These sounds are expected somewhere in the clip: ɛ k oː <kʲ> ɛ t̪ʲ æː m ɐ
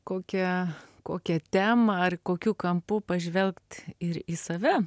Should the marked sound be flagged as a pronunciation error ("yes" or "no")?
no